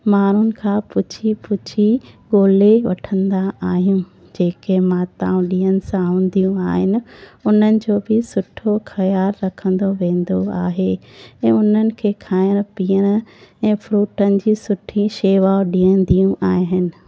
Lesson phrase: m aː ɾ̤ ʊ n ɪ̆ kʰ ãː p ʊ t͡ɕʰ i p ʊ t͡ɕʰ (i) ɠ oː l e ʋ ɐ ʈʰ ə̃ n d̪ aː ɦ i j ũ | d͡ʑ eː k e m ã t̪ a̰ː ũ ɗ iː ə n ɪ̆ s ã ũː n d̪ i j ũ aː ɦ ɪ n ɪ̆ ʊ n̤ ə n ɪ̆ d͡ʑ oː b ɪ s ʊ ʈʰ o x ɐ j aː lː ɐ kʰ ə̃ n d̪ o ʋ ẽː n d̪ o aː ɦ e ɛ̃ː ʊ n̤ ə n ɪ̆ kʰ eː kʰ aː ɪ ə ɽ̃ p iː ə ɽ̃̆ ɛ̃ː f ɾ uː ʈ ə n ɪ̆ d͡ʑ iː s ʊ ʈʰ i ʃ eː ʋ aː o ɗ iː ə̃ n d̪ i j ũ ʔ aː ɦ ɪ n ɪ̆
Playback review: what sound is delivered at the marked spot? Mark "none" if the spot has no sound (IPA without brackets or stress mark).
i